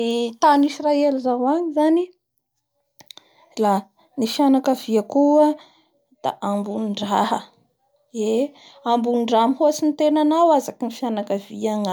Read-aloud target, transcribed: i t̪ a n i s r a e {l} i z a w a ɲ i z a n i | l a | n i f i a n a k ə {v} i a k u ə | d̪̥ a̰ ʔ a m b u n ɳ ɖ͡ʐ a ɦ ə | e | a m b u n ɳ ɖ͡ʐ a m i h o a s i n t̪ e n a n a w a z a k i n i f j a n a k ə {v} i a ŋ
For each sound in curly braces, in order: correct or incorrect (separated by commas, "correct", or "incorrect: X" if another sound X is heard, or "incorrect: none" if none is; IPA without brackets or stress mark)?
correct, correct, correct